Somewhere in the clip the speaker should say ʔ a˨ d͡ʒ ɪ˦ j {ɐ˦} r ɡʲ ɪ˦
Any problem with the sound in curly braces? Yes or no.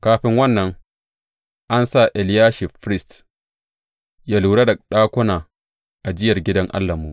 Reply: yes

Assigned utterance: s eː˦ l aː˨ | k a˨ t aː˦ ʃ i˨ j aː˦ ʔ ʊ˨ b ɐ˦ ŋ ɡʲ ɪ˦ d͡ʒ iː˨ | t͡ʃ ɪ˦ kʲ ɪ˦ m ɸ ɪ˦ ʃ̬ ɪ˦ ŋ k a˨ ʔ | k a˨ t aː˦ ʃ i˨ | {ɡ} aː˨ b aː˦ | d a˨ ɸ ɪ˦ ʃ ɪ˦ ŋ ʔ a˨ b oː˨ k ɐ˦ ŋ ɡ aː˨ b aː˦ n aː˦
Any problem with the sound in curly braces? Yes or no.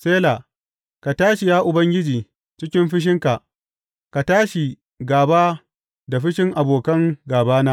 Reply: no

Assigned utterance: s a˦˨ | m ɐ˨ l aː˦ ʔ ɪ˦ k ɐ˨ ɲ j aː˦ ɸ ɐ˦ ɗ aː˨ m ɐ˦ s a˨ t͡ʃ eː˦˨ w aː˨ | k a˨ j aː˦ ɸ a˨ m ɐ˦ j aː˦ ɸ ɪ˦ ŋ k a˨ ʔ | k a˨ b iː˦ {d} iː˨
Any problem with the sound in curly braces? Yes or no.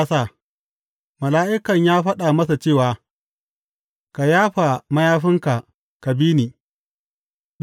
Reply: yes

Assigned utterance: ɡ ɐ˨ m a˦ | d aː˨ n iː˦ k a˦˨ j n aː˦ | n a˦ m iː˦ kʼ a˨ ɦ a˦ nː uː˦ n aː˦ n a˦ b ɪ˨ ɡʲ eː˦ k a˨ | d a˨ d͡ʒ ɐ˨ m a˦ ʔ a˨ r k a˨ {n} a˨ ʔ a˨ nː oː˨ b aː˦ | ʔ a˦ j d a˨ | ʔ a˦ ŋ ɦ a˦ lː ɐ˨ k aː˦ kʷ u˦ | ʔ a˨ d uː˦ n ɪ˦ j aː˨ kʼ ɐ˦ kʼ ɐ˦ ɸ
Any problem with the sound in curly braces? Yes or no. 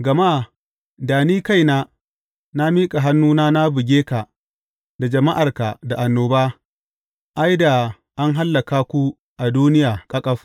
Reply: yes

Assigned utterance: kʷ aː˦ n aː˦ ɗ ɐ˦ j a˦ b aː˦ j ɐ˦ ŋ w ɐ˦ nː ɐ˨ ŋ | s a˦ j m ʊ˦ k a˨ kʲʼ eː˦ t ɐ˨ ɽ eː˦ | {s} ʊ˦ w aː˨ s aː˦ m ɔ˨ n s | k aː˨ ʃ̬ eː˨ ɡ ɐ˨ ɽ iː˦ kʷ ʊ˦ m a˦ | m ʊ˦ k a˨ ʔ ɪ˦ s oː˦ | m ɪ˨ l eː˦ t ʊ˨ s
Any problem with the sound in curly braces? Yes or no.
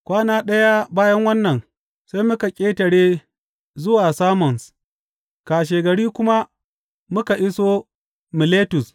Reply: yes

